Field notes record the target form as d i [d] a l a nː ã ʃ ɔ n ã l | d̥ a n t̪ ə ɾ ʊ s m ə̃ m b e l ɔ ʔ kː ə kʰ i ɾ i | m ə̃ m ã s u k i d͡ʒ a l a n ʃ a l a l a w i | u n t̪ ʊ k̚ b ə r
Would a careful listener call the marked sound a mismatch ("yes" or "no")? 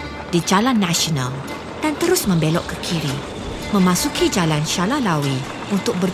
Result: yes